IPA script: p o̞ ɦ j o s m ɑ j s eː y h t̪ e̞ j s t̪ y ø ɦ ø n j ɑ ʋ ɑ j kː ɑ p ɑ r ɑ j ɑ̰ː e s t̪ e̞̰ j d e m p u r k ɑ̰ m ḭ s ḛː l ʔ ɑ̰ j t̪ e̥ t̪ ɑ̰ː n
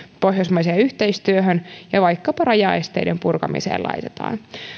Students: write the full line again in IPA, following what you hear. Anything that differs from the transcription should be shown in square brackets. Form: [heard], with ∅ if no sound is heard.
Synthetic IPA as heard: p o̞ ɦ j o s m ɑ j s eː y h t̪ e̞ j s t̪ y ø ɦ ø n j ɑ ʋ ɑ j kː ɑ p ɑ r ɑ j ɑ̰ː e s t̪ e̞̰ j d e m p u r k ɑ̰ m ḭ s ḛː l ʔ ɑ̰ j t̪ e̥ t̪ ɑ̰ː n